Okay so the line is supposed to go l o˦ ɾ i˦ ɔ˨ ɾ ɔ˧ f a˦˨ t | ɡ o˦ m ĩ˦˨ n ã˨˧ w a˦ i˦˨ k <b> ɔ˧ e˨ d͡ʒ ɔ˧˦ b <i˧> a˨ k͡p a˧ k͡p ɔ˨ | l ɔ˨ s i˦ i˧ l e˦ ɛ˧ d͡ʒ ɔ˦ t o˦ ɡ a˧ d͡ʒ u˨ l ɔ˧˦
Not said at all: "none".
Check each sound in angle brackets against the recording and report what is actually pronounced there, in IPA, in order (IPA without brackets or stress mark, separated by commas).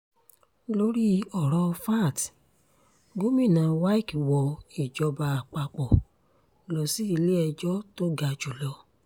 w, a˧